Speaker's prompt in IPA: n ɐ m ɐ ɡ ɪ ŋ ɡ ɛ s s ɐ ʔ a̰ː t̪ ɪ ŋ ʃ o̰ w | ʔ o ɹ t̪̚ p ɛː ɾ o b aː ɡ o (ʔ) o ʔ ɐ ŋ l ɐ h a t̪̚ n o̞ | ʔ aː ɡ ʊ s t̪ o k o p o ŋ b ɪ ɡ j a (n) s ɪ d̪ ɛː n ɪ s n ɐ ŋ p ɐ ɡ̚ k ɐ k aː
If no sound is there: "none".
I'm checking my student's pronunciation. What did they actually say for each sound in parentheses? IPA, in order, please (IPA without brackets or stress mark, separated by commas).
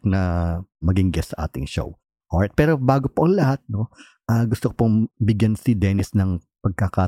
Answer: p, n